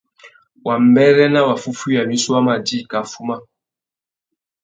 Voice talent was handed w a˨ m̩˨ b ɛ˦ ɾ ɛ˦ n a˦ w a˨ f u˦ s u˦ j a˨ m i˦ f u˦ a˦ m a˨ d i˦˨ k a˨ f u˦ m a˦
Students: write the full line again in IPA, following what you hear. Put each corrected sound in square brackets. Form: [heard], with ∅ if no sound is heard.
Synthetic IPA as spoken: w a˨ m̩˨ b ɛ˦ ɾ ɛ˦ n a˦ w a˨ f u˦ [f] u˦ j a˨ m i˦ [s] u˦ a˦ m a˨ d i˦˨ k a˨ f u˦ m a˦